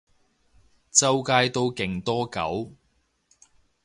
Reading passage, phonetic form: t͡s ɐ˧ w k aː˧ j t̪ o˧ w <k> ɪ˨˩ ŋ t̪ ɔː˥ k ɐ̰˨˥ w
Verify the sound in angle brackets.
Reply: correct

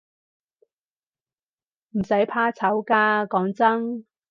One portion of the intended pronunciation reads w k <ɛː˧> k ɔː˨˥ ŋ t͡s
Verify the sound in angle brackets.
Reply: incorrect: aː˧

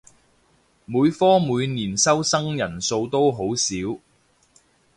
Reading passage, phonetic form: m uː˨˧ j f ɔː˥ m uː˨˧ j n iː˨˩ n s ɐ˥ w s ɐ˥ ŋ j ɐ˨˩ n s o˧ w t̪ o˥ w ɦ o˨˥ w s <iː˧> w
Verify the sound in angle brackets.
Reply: incorrect: iː˨˥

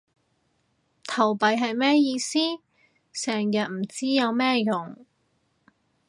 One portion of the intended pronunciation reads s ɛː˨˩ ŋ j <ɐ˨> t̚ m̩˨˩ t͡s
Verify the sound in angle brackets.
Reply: correct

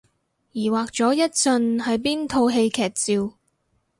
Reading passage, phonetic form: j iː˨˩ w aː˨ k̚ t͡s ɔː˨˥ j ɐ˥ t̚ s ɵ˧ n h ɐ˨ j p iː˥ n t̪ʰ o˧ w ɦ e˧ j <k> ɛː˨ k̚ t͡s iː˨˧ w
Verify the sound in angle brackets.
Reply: incorrect: kʰ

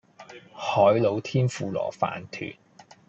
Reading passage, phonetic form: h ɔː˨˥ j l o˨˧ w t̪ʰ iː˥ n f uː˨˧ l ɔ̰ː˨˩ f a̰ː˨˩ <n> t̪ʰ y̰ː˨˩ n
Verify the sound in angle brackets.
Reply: correct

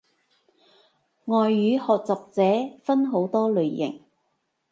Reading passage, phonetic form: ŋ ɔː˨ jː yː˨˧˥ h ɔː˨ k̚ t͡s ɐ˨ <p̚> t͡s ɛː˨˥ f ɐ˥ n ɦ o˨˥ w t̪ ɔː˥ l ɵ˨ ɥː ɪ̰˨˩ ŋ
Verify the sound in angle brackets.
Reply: correct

